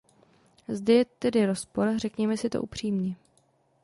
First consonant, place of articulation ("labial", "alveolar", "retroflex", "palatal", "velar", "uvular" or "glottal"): alveolar